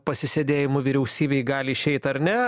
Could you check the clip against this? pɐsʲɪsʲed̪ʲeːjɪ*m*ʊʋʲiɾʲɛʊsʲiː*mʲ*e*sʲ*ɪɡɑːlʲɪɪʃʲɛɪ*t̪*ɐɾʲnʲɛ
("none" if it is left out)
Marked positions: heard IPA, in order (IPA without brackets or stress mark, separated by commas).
m, bʲ, none, t̪